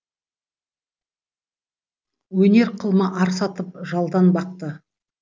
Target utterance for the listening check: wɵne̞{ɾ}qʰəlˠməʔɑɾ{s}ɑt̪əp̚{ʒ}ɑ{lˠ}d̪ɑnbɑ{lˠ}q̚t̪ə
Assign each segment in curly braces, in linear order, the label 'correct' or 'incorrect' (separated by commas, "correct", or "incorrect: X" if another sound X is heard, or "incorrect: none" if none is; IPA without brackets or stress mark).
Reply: correct, correct, correct, correct, incorrect: none